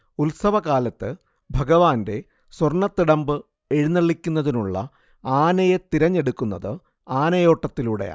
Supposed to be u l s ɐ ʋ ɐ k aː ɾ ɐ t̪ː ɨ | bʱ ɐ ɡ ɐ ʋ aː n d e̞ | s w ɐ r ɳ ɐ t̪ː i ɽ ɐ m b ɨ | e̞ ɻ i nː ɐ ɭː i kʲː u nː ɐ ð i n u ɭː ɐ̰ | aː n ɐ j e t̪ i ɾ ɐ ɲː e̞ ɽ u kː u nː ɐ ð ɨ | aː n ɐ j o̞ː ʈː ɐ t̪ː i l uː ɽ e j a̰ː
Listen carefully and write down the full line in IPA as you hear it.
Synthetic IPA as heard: u l s ɐ ʋ ɐ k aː l ɐ t̪ː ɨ | bʱ ɐ ɡ ɐ ʋ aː n d e̞ | s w ɐ r ɳ ɐ t̪ː i ɽ ɐ m b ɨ | e̞ ɻ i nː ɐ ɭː i kʲː u nː ɐ ð i n u ɭː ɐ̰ | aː n ɐ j e t̪ i ɾ ɐ ɲː e̞ ɽ u kː u nː ɐ ð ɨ | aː n ɐ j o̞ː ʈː ɐ t̪ː i l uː ɽ e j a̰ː